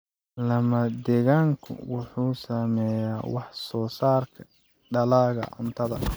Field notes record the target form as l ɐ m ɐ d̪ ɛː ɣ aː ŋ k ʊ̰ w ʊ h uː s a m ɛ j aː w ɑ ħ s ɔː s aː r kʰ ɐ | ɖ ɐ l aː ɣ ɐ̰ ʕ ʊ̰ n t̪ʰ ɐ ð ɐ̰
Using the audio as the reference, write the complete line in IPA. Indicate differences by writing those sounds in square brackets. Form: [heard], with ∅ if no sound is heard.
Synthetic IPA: l ɐ m ɐ d̪ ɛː ɣ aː ŋ [kʰ] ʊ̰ w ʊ [ħ] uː s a m ɛ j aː w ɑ ħ s ɔː s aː r kʰ ɐ | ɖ ɐ l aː ɣ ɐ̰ ʕ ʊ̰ n t̪ʰ ɐ ð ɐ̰

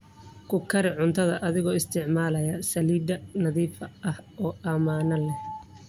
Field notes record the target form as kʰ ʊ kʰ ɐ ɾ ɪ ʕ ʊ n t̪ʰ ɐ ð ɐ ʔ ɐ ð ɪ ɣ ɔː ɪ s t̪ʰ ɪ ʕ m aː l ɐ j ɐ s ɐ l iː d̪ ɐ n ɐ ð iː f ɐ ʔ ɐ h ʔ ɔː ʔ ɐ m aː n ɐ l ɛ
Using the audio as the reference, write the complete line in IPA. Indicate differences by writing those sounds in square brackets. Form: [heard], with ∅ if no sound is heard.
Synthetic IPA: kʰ ʊ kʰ ɐ ɾ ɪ ʕ ʊ n t̪ʰ ɐ ð ɐ ʔ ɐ ð ɪ ɣ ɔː ɪ s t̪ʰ ɪ ʕ m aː l ɐ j ɐ s ɐ l iː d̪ ɐ n ɐ ð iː f ɐ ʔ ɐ h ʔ ɔː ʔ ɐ m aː n ɐ l ɛ

